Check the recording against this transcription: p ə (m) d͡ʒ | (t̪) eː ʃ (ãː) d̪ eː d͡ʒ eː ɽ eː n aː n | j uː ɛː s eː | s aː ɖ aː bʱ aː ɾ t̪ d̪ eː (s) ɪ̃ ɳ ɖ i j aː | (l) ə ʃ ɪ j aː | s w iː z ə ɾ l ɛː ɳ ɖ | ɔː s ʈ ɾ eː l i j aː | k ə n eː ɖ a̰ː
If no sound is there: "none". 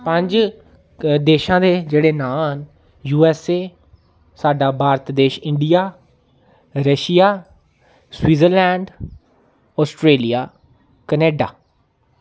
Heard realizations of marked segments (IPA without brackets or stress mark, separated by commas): ɲ, d̪, ãː, ʃ, ɾ